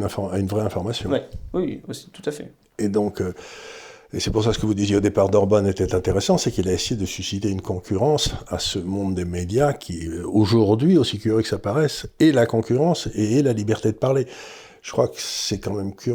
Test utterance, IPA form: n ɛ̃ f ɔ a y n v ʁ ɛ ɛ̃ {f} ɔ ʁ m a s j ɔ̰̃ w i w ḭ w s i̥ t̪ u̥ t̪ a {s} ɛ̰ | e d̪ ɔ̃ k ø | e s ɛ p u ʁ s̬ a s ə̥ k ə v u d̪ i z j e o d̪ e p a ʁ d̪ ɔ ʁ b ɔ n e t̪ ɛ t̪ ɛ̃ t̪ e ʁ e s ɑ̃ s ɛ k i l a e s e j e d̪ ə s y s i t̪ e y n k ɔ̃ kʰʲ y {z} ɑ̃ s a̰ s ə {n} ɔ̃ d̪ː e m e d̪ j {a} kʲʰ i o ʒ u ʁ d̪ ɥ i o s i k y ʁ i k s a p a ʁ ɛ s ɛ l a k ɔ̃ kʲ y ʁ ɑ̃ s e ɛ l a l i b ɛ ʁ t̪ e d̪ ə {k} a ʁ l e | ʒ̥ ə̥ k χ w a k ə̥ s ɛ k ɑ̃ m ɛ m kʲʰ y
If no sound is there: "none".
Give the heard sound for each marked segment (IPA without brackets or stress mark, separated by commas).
f, f, ʁ, m, a, p